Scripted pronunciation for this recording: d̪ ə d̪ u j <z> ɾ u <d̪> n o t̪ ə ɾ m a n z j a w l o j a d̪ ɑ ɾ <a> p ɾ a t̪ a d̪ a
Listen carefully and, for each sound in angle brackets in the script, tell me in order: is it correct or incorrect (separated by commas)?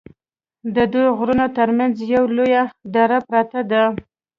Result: incorrect, incorrect, correct